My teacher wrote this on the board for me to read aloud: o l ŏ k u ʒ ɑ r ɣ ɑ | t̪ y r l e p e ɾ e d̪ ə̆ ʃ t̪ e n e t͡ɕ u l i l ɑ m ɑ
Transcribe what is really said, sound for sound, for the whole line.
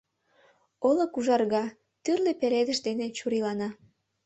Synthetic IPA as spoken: o l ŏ k u ʒ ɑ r ɣ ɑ | t̪ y r l e p e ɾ e d̪ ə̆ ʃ d̪ e n e t͡ɕ u ɾ i l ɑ n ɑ